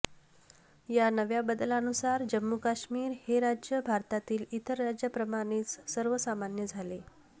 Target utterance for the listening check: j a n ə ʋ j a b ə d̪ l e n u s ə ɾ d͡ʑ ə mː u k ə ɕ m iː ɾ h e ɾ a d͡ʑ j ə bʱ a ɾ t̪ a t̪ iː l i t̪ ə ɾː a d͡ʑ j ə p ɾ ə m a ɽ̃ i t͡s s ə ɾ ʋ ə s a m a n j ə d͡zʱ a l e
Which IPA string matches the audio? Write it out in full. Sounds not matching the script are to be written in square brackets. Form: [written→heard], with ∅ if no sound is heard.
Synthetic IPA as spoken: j a n ə ʋ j a b ə d̪ l [e→a] n u s [ə→a] ɾ d͡ʑ ə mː u k [ə→a] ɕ m iː ɾ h e ɾ a d͡ʑ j ə bʱ a ɾ t̪ a t̪ iː l i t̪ ə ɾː a d͡ʑ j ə p ɾ ə m a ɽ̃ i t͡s s ə ɾ ʋ ə s a m a n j ə d͡zʱ a l e